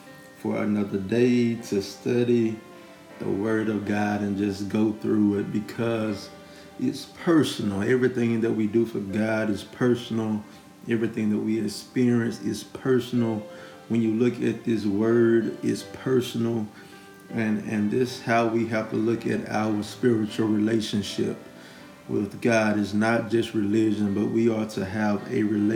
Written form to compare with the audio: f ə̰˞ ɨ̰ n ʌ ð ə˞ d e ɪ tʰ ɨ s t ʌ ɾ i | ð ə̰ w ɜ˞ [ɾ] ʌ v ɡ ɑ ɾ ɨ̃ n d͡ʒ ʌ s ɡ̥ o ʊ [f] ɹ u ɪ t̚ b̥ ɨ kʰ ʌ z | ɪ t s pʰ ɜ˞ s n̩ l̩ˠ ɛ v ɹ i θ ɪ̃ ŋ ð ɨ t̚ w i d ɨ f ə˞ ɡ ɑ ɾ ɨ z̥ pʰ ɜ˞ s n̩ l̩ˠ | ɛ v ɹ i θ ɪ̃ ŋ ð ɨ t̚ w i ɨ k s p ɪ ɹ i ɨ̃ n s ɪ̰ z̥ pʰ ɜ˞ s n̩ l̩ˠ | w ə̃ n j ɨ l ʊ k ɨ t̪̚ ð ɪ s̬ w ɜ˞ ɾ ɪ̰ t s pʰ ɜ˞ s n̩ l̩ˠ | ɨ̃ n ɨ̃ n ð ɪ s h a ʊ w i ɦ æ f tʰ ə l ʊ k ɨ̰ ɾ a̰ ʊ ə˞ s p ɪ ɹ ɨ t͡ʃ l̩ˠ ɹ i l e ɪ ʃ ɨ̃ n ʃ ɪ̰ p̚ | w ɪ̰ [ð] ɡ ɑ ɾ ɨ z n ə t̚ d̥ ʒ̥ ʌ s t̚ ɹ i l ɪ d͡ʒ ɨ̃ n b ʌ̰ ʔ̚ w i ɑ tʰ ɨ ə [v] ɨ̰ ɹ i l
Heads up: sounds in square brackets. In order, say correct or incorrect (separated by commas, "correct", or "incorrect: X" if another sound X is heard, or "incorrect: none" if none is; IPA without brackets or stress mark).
correct, incorrect: θ, correct, correct